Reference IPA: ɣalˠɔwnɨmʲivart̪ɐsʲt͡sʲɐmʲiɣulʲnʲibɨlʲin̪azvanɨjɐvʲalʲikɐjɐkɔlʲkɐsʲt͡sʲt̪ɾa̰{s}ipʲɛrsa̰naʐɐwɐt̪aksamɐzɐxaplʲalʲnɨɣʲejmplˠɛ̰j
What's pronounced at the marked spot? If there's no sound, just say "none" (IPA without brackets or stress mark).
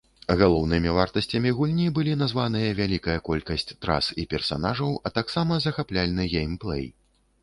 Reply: s